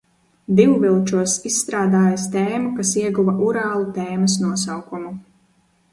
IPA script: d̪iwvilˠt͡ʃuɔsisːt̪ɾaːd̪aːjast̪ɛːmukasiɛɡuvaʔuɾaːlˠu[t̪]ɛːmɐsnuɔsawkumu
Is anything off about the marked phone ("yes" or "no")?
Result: no